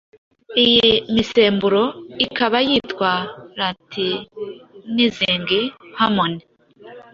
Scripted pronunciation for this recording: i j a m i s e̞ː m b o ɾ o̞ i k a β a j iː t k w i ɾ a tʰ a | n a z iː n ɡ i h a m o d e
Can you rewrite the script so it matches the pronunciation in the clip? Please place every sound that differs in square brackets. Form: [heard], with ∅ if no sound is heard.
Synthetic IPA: i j [i] m i s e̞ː m b [u] ɾ o̞ i k a β a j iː t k w [a] ɾ a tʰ [i] | n [i] z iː [ŋ] ɡ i h a m o [n] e